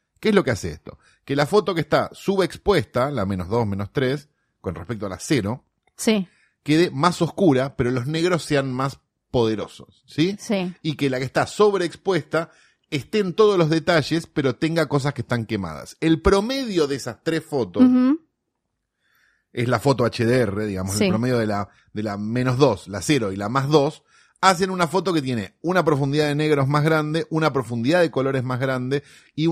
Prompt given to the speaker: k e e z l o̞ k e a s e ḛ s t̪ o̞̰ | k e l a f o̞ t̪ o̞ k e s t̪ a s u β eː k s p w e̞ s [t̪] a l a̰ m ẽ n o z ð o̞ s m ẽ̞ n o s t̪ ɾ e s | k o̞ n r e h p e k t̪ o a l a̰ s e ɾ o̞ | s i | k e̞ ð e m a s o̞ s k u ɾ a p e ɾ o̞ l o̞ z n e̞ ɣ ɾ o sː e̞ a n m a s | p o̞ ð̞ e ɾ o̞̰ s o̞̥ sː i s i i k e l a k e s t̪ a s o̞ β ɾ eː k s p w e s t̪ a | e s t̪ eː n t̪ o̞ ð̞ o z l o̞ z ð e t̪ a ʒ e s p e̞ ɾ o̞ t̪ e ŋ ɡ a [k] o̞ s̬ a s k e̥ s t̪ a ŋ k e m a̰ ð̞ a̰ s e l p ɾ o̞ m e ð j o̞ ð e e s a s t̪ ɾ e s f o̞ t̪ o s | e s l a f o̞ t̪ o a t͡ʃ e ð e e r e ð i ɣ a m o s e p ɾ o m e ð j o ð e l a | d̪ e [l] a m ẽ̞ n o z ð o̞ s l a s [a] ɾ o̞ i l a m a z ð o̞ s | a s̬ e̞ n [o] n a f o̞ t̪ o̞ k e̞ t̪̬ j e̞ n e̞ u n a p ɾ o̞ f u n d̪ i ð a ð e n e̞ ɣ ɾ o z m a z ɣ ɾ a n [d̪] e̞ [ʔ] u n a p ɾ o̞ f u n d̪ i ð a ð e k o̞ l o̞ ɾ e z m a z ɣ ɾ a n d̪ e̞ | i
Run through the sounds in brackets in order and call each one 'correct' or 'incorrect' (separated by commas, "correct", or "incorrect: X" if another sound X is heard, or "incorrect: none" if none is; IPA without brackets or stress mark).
correct, correct, correct, incorrect: e, incorrect: u, correct, correct